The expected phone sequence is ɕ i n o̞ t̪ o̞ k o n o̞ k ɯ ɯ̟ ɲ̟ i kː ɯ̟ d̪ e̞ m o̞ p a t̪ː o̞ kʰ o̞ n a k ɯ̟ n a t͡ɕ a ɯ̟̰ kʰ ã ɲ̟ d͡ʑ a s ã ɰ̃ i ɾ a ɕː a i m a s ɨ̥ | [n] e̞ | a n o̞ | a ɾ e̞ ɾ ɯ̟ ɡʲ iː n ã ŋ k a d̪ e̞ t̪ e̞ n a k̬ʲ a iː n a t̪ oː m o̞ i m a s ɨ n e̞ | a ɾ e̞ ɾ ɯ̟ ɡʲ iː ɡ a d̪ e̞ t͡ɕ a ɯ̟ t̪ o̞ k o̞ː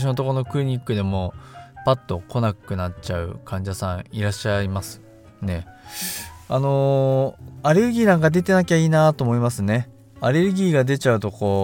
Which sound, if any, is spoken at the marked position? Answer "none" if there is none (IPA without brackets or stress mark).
n